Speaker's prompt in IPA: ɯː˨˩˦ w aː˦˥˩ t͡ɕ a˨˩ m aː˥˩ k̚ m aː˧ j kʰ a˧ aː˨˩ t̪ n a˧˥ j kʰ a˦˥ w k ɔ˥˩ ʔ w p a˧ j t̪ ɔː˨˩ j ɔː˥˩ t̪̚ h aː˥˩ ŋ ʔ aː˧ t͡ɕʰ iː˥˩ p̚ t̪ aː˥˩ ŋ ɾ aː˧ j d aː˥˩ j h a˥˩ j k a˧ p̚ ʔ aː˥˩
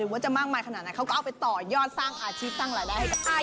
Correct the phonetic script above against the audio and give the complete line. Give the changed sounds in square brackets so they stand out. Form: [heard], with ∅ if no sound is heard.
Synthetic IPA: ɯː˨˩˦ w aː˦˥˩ t͡ɕ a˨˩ m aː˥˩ k̚ m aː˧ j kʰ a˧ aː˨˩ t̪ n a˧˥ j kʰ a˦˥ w k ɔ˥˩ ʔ w p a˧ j t̪ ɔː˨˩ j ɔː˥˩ t̪̚ [s] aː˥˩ ŋ ʔ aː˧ t͡ɕʰ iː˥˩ p̚ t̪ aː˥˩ ŋ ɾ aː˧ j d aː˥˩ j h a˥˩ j k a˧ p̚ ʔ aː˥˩